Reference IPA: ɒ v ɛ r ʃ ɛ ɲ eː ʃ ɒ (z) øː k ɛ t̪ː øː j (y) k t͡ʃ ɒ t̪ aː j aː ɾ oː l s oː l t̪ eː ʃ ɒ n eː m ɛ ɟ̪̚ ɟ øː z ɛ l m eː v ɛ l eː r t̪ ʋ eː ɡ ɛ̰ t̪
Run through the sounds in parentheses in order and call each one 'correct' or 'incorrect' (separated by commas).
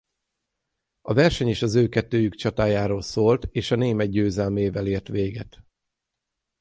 correct, correct